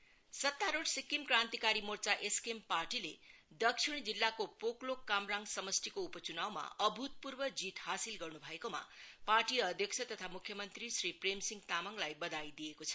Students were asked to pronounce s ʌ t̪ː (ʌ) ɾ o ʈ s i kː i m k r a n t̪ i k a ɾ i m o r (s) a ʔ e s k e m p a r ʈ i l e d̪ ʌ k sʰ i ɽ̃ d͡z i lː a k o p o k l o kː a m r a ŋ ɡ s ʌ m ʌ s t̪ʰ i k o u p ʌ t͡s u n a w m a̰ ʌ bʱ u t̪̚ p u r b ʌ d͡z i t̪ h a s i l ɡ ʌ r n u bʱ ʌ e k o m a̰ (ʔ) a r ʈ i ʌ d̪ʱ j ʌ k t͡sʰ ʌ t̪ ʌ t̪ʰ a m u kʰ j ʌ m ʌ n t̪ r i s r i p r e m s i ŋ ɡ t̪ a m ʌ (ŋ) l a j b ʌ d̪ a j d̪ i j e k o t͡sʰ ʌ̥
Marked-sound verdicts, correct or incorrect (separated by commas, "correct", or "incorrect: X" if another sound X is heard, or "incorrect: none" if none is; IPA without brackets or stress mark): incorrect: a, incorrect: t͡s, incorrect: p, correct